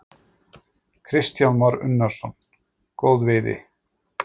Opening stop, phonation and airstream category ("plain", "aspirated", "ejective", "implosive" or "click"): aspirated